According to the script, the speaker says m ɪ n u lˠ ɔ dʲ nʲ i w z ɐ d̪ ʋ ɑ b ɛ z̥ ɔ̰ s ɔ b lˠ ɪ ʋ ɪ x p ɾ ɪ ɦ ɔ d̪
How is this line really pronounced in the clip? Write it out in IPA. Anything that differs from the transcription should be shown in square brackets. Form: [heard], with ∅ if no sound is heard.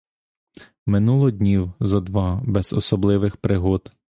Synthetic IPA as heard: m ɪ n u lˠ ɔ dʲ nʲ i w z ɐ d̪ ʋ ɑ b ɛ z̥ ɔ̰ s ɔ b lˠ ɪ ʋ ɪ x p ɾ ɪ ɦ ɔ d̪